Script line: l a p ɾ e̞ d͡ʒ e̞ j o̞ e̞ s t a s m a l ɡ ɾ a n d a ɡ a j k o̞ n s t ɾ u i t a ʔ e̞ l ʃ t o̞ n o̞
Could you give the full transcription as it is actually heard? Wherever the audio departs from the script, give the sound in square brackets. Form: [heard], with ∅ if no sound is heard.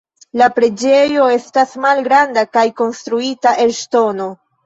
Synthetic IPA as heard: l a p ɾ e̞ d͡ʒ e̞ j o̞ e̞ s t a s m a l ɡ ɾ a n d a [k] a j k o̞ n s t ɾ u i t a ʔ e̞ l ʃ t o̞ n o̞